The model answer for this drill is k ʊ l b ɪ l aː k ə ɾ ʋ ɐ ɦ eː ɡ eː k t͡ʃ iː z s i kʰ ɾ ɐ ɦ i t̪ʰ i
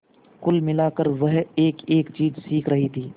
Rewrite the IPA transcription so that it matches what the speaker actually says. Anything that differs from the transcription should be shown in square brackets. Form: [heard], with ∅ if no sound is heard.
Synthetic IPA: k ʊ l [m] ɪ l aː k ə ɾ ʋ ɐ ɦ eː [k] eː k t͡ʃ iː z s [iː] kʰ ɾ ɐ ɦ i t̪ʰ [iː]